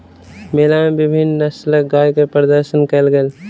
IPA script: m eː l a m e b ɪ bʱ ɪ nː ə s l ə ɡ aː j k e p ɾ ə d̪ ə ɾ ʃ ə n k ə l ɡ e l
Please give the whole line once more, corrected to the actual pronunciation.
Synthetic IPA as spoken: m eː l a m e b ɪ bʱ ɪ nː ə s l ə ɡ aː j k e p ɾ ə d̪ ə ɾ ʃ ə n k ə l ɡ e l